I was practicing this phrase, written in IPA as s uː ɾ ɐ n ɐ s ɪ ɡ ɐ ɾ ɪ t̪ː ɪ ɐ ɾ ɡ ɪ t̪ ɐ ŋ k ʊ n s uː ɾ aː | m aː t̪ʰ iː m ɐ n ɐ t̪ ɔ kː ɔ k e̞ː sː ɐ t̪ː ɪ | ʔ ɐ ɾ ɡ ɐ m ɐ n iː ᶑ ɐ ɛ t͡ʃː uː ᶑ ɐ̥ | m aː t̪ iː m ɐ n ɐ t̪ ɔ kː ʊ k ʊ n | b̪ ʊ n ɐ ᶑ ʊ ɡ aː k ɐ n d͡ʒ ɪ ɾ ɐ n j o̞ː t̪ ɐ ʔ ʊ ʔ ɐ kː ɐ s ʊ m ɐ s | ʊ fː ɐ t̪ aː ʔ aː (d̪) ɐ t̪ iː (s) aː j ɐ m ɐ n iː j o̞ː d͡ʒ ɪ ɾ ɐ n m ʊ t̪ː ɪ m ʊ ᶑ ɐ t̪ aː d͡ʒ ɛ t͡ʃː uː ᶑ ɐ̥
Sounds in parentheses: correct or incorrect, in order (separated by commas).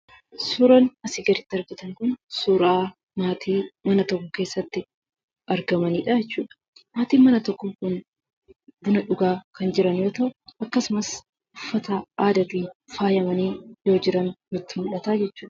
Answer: correct, incorrect